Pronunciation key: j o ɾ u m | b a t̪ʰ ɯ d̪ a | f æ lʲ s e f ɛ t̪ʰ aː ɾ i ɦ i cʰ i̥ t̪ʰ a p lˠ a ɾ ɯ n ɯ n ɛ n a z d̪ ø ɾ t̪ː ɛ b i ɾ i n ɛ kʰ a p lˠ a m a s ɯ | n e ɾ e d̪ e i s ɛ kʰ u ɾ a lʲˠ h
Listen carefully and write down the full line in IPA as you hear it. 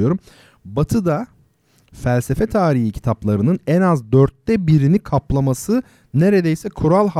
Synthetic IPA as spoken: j o ɾ u m | b a t̪ʰ ɯ d̪ a | f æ lʲ s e f ɛ t̪ʰ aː ɾ i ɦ i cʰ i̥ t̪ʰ a p lˠ a ɾ ɯ n ɯ n ɛ n a z d̪ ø ɾ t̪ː ɛ b i ɾ i n i kʰ a p lˠ a m a s ɯ | n e ɾ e d̪ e j s ɛ kʰ u ɾ a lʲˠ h